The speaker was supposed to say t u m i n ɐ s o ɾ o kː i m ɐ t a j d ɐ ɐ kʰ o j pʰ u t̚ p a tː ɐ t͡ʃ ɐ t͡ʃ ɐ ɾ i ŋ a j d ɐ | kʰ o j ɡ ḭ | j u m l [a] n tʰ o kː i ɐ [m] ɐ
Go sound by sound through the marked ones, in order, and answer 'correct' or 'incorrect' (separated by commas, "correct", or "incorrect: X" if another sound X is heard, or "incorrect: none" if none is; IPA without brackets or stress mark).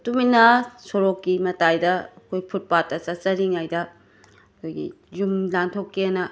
correct, incorrect: n